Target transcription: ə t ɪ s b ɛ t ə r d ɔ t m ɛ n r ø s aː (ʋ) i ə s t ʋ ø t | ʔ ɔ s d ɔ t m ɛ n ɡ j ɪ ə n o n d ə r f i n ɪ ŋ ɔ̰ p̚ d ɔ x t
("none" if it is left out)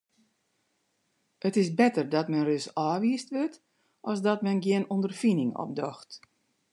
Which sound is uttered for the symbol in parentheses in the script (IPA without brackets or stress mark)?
ʋ